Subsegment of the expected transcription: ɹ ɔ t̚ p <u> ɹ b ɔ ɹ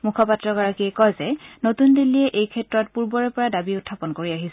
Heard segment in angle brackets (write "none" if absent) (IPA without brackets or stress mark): u